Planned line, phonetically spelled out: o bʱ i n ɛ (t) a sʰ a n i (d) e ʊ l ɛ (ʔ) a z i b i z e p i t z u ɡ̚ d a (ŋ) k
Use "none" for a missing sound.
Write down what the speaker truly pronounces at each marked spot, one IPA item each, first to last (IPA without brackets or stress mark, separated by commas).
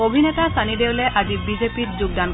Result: t, d, ʔ, n